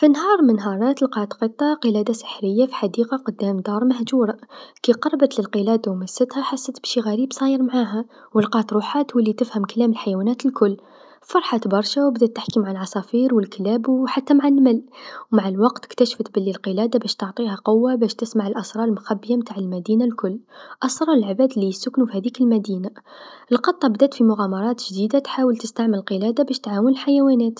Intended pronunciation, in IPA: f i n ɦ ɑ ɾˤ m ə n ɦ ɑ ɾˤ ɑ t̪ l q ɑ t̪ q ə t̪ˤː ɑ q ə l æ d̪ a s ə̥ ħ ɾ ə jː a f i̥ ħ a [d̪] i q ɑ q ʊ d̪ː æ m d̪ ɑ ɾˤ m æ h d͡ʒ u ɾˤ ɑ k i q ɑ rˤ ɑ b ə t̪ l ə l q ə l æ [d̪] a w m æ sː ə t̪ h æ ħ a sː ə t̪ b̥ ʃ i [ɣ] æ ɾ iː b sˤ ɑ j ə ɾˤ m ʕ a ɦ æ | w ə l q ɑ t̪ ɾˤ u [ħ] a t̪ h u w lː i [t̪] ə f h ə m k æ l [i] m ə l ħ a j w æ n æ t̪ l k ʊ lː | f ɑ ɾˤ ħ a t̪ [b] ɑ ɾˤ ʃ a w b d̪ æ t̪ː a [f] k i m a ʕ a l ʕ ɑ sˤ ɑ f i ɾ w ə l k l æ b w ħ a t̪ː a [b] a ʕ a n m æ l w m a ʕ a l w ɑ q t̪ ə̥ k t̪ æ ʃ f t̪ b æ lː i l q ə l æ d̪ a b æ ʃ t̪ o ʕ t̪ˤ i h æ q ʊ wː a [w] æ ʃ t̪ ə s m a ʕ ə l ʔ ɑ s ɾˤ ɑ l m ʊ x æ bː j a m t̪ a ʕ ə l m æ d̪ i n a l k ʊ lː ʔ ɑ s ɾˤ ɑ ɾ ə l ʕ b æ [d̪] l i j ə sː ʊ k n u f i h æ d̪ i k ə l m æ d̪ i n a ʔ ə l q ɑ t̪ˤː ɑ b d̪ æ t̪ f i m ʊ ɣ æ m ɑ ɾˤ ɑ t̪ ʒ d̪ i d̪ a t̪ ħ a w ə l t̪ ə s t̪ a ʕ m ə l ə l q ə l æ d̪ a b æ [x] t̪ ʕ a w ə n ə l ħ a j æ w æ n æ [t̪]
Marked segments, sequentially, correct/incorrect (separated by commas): correct, correct, correct, correct, correct, incorrect, correct, incorrect, incorrect, incorrect, correct, incorrect, correct